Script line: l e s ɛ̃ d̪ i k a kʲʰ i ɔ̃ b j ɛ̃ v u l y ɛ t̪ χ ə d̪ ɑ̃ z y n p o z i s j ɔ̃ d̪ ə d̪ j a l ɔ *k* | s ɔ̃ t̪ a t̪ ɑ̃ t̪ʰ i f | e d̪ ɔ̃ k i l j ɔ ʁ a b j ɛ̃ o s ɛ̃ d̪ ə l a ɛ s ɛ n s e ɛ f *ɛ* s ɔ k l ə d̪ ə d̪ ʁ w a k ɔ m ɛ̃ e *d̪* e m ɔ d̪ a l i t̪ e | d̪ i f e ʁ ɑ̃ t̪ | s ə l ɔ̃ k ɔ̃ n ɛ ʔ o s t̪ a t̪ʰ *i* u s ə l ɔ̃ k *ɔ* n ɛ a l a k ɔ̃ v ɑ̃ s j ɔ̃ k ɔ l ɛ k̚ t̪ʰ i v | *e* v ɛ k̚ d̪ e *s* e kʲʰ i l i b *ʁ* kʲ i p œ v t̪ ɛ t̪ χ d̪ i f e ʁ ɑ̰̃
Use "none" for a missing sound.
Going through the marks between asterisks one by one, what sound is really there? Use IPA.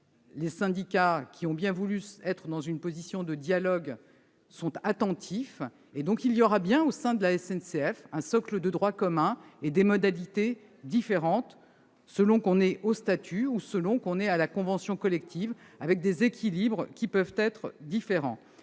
ɡ, ɛ̃, d̪, y, ɔ̃, a, z, ʁ

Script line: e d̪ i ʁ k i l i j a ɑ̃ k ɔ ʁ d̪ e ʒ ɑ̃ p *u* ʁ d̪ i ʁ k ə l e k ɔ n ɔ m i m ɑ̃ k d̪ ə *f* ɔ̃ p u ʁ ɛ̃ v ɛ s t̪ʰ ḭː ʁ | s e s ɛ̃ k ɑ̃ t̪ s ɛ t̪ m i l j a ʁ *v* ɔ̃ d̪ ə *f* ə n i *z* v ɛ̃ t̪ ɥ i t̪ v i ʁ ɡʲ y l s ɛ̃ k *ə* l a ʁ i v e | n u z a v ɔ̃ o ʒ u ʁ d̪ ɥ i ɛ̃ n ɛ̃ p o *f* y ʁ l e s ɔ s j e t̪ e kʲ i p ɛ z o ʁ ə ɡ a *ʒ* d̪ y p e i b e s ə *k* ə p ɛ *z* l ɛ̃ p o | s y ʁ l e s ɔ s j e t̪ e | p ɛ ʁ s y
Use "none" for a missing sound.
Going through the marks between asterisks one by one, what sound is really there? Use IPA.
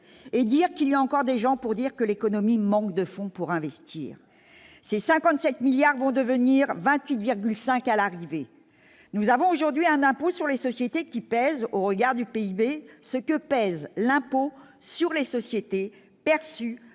u, f, v, v, ʁ, a, s, ʁ, k, z

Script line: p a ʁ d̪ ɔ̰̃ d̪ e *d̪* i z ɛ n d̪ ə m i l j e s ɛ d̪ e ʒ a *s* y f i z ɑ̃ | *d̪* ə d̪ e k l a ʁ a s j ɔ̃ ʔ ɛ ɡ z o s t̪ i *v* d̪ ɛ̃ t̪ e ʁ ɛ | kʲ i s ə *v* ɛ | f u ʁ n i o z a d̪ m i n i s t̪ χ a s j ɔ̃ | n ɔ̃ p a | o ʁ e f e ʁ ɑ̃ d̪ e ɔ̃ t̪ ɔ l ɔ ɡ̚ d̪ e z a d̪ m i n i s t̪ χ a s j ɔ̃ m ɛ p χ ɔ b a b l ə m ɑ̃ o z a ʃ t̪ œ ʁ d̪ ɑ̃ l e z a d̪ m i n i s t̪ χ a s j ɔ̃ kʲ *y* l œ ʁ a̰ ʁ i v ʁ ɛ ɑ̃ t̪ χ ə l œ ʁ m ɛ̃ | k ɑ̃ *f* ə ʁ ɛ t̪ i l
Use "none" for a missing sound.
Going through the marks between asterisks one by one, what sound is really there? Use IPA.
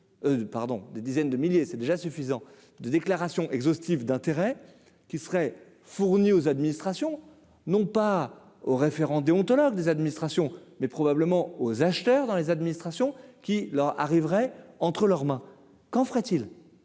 d̪, s, d̪, v, ʁ, i, f

